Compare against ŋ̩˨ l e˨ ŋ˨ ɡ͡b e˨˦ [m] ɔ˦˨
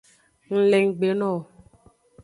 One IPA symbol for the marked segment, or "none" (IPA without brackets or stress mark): n